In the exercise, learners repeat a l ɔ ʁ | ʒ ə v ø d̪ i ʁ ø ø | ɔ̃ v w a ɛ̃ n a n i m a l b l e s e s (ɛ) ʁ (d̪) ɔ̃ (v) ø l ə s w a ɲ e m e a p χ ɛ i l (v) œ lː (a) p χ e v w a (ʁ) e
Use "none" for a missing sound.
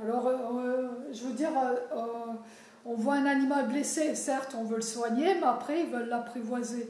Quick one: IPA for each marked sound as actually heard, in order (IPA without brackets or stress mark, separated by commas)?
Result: ɛ, t̪, v, v, a, z